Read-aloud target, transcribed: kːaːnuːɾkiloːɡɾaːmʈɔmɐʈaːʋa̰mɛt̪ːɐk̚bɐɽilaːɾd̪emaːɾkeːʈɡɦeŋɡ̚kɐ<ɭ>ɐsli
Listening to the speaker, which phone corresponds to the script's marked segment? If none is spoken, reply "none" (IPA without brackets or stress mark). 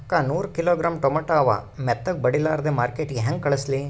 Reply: ɭ